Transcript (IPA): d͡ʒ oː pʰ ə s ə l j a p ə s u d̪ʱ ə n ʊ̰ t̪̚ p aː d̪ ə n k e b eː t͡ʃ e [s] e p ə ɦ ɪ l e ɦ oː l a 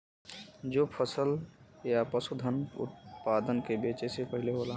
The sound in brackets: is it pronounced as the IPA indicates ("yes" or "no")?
yes